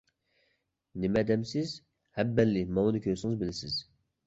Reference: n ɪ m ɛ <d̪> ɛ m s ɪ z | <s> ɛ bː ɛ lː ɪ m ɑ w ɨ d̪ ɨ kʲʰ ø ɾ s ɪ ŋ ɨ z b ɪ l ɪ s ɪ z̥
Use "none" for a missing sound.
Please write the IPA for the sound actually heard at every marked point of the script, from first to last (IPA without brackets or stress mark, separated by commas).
d̪, h